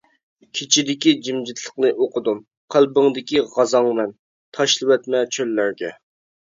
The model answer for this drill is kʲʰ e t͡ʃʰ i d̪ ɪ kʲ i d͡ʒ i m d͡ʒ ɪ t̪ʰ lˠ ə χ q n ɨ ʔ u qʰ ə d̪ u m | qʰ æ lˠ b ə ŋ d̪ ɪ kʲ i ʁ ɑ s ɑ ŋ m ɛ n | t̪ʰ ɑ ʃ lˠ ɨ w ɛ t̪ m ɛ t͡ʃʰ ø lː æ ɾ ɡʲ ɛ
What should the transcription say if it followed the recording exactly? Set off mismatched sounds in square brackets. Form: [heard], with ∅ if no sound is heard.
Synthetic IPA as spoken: kʲʰ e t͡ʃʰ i d̪ ɪ kʲ i d͡ʒ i m d͡ʒ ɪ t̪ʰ lˠ ə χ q n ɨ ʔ [o] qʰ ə d̪ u m | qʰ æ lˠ b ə ŋ d̪ ɪ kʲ i ʁ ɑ [z] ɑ ŋ m ɛ n | t̪ʰ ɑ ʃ lˠ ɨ w ɛ t̪ m ɛ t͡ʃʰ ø lː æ ɾ ɡʲ ɛ